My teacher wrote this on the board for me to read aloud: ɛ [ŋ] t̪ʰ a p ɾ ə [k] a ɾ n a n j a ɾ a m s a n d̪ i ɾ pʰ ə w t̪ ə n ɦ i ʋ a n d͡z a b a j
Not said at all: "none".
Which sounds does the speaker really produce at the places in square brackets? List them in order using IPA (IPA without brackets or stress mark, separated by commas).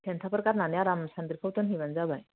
n, k